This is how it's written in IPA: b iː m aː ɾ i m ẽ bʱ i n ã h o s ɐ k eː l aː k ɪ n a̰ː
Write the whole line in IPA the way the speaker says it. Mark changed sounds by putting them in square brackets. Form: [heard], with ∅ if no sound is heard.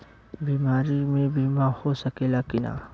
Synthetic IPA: b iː m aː ɾ i m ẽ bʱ i [m] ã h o s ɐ k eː l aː k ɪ n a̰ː